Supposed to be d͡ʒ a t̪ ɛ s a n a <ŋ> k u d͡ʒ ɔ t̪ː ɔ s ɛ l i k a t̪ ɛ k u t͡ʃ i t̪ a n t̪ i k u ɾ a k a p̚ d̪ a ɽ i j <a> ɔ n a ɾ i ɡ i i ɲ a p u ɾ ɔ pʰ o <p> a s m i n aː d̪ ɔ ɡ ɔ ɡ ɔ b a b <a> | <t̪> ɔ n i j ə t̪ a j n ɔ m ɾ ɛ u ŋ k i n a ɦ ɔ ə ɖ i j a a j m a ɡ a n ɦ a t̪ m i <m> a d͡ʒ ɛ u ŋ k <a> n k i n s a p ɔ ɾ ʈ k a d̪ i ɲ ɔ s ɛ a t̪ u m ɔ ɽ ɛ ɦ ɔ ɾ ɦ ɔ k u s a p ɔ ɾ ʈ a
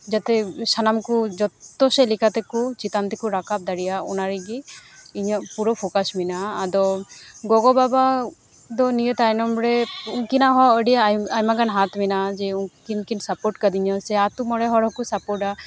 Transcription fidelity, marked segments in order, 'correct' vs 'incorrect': incorrect: m, correct, incorrect: k, correct, incorrect: d̪, incorrect: n, incorrect: i

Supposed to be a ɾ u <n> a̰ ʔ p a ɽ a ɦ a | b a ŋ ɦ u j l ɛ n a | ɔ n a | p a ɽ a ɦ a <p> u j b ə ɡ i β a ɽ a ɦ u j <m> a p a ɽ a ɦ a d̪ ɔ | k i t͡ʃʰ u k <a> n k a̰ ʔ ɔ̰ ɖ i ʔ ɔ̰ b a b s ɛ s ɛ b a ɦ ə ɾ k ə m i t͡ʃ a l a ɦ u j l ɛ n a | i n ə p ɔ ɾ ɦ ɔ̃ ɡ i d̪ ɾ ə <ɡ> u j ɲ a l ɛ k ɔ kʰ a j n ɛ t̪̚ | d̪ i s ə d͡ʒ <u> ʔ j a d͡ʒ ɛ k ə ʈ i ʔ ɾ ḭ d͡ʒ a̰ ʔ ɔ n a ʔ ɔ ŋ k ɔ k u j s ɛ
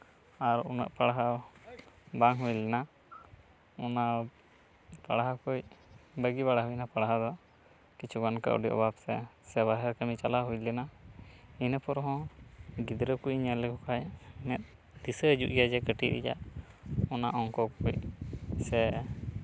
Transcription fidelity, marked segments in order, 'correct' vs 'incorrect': correct, incorrect: k, incorrect: n, correct, incorrect: k, correct

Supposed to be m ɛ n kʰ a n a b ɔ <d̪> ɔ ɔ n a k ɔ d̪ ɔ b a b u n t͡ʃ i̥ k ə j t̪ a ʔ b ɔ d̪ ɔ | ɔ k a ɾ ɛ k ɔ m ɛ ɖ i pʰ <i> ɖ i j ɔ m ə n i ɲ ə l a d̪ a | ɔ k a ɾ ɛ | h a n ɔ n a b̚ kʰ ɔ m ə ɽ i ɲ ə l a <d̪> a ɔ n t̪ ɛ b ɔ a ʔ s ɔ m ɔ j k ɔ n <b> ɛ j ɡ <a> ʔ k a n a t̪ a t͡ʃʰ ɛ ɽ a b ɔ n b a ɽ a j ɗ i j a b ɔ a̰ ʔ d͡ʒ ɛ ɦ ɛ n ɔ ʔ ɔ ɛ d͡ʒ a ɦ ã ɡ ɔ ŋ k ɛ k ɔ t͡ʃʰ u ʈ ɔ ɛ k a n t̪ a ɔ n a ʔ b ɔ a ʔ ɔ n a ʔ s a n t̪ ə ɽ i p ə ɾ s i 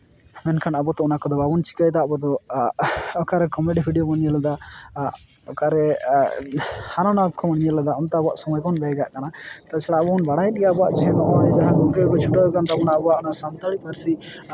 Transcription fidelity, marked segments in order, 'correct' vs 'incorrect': incorrect: t̪, correct, correct, correct, correct

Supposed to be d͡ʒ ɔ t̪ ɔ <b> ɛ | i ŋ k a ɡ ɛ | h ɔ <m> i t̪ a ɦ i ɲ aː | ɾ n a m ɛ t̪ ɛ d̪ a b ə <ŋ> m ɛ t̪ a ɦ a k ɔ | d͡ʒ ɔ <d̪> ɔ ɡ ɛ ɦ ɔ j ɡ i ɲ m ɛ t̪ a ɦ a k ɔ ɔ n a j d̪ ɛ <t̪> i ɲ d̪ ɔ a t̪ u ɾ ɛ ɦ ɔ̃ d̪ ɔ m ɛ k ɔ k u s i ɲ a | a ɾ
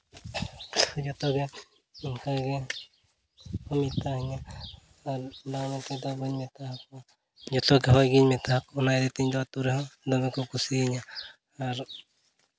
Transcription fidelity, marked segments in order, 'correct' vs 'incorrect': incorrect: ɡ, correct, incorrect: ɲ, incorrect: t̪, correct

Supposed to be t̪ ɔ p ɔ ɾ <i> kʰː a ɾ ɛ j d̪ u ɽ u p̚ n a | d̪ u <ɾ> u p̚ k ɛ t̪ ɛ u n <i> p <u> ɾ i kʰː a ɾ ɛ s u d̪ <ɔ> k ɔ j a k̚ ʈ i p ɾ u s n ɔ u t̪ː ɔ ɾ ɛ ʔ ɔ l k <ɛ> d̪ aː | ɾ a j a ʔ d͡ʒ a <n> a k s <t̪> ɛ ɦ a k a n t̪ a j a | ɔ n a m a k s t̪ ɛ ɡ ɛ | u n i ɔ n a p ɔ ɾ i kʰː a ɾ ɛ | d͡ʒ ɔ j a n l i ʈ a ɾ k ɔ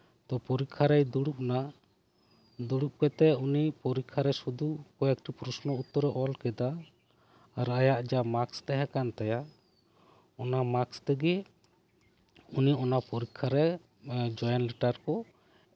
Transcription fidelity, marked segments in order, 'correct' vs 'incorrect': correct, incorrect: ɽ, correct, incorrect: ɔ, incorrect: u, correct, incorrect: m, correct

